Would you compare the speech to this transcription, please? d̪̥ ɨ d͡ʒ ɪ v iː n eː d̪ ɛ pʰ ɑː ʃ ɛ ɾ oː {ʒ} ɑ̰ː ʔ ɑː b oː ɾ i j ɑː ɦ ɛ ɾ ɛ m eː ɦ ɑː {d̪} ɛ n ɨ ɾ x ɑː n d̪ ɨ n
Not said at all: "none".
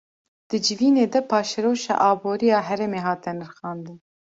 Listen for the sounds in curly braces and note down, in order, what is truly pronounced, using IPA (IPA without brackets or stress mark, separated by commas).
ʃ, t̪